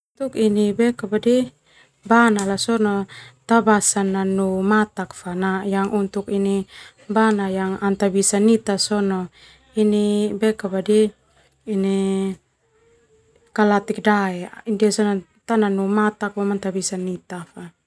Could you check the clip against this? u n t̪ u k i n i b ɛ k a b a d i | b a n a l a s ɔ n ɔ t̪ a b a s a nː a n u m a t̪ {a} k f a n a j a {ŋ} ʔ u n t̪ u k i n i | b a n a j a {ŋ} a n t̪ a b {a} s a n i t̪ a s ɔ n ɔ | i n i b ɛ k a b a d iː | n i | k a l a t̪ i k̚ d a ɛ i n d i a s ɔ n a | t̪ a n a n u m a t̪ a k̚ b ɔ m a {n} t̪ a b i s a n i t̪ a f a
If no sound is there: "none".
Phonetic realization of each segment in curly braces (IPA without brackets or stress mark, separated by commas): a, ŋ, ŋ, i, n